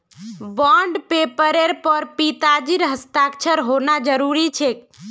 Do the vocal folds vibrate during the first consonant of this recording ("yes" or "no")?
yes